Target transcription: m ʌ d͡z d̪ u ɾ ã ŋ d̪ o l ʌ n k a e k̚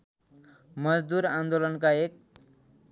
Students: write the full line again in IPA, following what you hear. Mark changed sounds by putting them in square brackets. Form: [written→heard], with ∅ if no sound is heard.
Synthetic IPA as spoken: m ʌ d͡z d̪ u ɾ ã [ŋ→n] d̪ o l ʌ n k a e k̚